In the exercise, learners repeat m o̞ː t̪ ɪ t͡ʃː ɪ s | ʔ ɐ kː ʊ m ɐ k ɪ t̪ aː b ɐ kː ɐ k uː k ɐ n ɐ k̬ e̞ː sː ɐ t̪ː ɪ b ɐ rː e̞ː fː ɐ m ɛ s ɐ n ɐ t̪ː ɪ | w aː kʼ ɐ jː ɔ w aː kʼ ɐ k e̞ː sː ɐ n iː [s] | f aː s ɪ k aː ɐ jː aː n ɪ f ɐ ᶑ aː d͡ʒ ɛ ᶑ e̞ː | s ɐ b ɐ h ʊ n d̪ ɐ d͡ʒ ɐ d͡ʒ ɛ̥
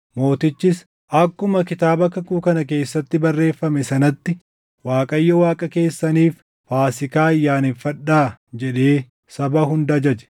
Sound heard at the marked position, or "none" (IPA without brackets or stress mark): f